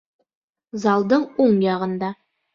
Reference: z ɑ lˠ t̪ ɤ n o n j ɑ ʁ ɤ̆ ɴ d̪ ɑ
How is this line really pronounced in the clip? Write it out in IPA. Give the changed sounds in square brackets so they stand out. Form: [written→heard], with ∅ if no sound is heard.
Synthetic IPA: z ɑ lˠ [t̪→d̪] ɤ [n→ɴ] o [n→ɴ] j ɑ ʁ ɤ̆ [ɴ→n] d̪ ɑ

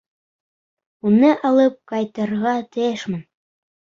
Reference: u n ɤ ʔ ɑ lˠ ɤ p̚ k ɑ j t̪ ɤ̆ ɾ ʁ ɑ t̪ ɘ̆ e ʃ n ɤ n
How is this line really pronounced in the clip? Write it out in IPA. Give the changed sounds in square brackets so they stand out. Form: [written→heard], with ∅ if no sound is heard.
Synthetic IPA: u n ɤ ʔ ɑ lˠ ɤ p̚ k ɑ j t̪ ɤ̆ ɾ ʁ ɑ t̪ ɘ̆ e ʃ [n→m] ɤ n

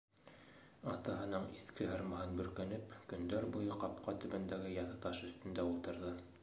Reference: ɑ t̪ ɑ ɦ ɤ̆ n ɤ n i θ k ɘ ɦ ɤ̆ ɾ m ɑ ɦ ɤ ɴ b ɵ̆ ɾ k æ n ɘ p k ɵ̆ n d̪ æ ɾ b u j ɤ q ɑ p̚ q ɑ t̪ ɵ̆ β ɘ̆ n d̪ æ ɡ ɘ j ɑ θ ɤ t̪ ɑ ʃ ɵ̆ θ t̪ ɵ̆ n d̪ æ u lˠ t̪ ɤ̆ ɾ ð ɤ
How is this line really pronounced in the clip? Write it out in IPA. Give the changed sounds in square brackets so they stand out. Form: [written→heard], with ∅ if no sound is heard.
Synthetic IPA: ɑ t̪ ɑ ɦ ɤ̆ n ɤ [n→ɴ] i θ k ɘ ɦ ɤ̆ ɾ m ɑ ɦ ɤ [ɴ→n] b ɵ̆ ɾ k æ n ɘ p k ɵ̆ n d̪ æ ɾ b u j ɤ q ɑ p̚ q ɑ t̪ ɵ̆ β ɘ̆ n d̪ æ ɡ ɘ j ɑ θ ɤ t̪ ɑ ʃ ɵ̆ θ t̪ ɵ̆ n d̪ æ u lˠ t̪ ɤ̆ ɾ ð ɤ

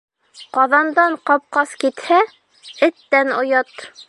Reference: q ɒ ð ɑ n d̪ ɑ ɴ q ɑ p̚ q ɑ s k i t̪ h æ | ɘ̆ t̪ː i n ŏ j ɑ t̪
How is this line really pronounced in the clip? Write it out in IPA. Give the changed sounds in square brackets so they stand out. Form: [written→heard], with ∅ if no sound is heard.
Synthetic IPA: q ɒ ð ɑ n d̪ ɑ ɴ q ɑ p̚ q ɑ s k i t̪ h æ | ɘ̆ t̪ː [i→æ] n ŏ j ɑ t̪

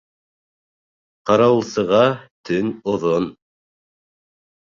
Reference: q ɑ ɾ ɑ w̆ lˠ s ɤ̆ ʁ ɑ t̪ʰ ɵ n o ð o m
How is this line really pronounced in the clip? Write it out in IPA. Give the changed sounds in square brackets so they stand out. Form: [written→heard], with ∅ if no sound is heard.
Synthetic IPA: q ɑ ɾ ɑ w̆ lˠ s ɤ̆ ʁ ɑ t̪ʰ ɵ n o ð o [m→n]

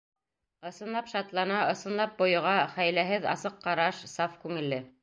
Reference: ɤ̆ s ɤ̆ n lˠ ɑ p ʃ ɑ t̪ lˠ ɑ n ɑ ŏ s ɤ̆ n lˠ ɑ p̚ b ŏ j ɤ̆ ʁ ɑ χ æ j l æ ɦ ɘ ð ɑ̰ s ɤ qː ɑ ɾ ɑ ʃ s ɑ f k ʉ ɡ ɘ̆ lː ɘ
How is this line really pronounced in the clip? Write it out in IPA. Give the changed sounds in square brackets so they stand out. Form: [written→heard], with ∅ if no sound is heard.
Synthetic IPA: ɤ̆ s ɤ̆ n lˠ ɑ p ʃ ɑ t̪ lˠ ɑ n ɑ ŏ s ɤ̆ n lˠ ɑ p̚ b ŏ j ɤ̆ ʁ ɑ χ æ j l æ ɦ ɘ ð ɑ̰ s ɤ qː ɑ ɾ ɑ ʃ s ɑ f k ʉ [ɡ→ŋ] ɘ̆ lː ɘ

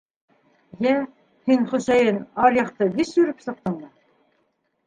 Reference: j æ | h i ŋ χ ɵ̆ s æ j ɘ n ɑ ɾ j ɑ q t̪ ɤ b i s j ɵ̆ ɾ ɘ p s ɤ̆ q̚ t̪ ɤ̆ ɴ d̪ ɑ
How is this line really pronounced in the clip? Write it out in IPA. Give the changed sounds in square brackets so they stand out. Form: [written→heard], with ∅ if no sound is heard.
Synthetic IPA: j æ | h i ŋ χ ɵ̆ s æ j ɘ n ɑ ɾ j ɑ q t̪ ɤ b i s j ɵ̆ ɾ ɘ p s ɤ̆ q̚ t̪ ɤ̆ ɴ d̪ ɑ

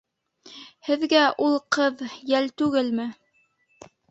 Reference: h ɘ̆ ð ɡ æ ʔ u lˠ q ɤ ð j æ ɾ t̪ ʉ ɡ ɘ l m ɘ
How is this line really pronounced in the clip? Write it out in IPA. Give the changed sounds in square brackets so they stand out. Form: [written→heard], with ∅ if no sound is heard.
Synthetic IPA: h ɘ̆ ð ɡ æ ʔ u lˠ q ɤ ð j æ [ɾ→l] t̪ ʉ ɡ ɘ l m ɘ

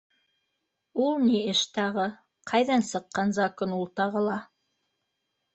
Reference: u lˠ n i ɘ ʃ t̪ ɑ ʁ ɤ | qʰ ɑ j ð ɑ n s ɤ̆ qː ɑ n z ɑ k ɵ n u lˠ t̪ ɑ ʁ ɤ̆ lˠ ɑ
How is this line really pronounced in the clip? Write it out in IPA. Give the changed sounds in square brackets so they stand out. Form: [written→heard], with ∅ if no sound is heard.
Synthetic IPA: u lˠ n i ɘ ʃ t̪ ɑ ʁ ɤ | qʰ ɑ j ð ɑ n s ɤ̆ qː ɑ n z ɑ k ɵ n u lˠ t̪ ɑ ʁ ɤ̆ lˠ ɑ

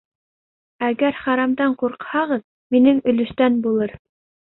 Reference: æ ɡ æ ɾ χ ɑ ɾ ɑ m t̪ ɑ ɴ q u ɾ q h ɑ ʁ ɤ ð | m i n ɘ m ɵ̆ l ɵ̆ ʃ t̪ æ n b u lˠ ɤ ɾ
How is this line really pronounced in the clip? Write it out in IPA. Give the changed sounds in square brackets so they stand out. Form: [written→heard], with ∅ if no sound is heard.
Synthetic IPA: æ ɡ æ ɾ χ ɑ ɾ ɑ m [t̪→d̪] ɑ ɴ q u ɾ q h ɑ ʁ ɤ ð | m i n ɘ [m→ŋ] ɵ̆ l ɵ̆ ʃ t̪ æ n b u lˠ ɤ ɾ

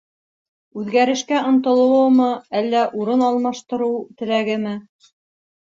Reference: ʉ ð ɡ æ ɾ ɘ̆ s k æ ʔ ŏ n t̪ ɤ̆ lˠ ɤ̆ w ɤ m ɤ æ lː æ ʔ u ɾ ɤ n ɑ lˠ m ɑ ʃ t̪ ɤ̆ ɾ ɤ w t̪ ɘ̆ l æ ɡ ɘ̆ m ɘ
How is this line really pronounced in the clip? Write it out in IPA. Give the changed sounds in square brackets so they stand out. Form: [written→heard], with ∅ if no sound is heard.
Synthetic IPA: ʉ ð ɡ æ ɾ ɘ̆ [s→ʃ] k æ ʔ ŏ n t̪ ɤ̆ lˠ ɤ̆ w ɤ m ɤ æ lː æ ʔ u ɾ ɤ n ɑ lˠ m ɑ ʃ t̪ ɤ̆ ɾ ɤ w t̪ ɘ̆ l æ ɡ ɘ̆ m ɘ

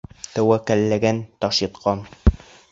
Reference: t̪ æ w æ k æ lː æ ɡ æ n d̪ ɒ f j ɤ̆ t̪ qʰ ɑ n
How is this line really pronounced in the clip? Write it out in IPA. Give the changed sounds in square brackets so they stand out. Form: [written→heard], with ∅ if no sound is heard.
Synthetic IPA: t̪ æ w æ k æ lː æ ɡ æ n [d̪→t̪] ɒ [f→ʃ] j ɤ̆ t̪ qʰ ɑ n

